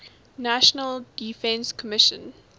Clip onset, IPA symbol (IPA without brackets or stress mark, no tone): n